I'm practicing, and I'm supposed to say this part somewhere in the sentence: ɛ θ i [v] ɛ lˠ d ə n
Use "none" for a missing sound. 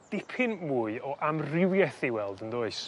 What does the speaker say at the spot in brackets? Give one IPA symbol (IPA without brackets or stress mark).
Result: w